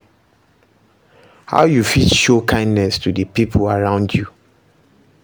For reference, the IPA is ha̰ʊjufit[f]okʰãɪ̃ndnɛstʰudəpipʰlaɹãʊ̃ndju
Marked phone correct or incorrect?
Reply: incorrect